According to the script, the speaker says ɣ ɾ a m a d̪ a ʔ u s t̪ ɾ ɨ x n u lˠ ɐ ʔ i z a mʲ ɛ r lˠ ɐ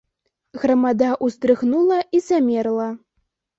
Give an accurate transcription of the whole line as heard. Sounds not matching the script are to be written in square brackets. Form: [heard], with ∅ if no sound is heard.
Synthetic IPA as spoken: ɣ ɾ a m a d̪ a ʔ u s t̪ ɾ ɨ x n u lˠ ɐ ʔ i z a mʲ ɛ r lˠ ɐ